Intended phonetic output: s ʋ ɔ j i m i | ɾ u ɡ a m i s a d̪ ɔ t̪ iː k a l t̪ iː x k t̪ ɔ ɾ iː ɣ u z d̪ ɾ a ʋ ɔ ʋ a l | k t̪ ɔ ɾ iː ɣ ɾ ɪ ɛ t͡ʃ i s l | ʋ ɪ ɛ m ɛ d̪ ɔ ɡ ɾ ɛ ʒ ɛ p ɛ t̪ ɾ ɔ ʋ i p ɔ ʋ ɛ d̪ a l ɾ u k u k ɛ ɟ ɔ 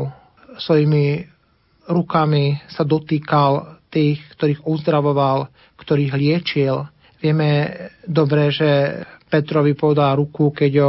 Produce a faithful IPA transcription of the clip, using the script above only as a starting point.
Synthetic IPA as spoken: s ʋ ɔ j i m i | ɾ u k a m i s a d̪ ɔ t̪ iː k a l t̪ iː x k t̪ ɔ ɾ iː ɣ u z d̪ ɾ a ʋ ɔ ʋ a l | k t̪ ɔ ɾ iː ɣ l ɪ ɛ t͡ʃ i l | ʋ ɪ ɛ m ɛ d̪ ɔ b ɾ ɛ ʒ ɛ p ɛ t̪ ɾ ɔ ʋ i p ɔ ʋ ɛ d̪ a l ɾ u k u k ɛ ɟ ɔ